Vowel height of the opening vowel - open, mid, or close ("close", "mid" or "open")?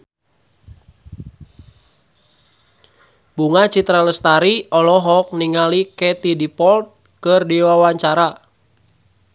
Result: close